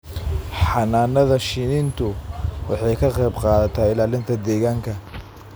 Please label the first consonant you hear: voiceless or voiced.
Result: voiceless